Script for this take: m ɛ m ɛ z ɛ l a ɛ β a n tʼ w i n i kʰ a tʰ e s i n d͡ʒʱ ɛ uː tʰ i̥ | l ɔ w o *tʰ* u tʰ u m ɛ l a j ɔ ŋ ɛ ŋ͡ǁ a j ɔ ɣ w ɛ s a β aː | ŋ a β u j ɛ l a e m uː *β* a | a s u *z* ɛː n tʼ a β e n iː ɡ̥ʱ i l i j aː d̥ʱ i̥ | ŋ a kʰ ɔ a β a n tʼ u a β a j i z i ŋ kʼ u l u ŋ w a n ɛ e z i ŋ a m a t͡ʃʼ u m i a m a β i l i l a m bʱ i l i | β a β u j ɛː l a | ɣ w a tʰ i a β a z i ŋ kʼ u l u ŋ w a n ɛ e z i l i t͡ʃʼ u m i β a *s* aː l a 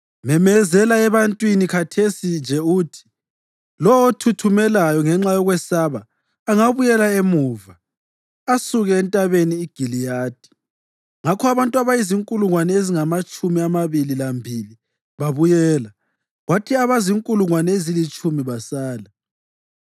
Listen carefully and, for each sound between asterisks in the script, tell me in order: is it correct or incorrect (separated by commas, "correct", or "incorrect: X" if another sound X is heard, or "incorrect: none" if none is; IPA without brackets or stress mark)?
correct, incorrect: v, incorrect: ɣ, correct